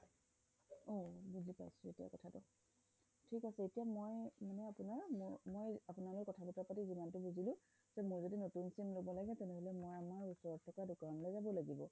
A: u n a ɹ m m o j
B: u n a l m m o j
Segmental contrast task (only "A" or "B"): A